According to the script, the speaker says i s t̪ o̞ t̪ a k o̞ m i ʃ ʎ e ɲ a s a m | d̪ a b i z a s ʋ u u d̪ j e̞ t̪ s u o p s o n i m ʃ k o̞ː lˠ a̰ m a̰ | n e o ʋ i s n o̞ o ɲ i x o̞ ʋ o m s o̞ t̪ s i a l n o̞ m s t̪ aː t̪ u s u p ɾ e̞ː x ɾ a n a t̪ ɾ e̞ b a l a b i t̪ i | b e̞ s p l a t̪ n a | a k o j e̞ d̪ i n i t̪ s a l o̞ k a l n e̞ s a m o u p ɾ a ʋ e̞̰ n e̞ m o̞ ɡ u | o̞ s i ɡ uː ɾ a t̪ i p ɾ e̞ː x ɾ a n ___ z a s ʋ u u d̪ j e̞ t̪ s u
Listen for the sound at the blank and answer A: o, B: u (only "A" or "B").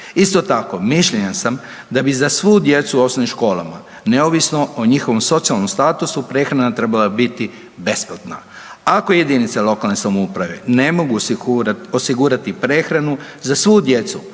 B